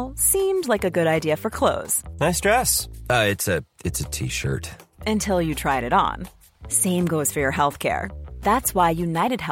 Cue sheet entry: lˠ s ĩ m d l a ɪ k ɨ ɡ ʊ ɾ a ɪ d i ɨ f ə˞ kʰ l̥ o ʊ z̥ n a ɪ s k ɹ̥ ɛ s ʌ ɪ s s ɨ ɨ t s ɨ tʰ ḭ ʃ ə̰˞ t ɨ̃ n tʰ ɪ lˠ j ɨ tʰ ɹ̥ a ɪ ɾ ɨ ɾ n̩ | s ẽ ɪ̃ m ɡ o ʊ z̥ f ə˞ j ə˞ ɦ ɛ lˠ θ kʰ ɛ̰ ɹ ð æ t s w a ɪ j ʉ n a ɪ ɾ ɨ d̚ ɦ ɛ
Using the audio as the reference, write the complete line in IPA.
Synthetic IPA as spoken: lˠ s ĩ m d l a ɪ k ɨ ɡ ʊ ɾ a ɪ d i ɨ f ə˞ kʰ l̥ o ʊ z̥ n a ɪ s t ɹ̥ ɛ s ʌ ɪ t s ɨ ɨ t s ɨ tʰ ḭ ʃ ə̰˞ t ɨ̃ n tʰ ɪ lˠ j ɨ tʰ ɹ̥ a ɪ ɾ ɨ ɾ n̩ | s ẽ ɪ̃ m ɡ o ʊ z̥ f ə˞ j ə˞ ɦ ɛ lˠ θ kʰ ɛ̰ ɹ ð æ t s w a ɪ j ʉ n a ɪ ɾ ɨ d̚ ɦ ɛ